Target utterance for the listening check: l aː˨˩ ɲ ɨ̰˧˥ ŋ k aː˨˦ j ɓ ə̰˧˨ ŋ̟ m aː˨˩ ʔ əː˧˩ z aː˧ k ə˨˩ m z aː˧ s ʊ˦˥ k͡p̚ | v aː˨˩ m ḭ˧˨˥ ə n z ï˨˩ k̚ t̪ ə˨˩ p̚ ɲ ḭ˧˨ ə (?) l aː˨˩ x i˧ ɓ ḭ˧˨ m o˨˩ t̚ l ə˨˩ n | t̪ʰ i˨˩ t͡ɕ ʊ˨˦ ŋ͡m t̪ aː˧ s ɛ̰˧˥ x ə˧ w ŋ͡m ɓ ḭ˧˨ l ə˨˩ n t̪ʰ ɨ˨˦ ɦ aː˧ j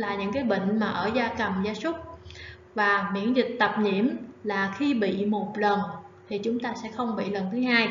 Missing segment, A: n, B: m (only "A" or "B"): B